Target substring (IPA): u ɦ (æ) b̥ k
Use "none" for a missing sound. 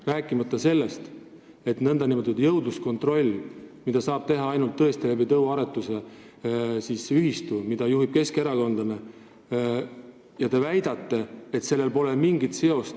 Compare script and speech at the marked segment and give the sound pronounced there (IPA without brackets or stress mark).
i